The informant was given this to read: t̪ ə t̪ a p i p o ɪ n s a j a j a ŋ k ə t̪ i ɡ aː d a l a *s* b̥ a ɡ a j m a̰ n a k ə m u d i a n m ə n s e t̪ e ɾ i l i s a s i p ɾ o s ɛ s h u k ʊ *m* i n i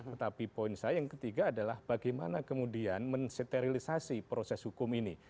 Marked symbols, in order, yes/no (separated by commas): no, yes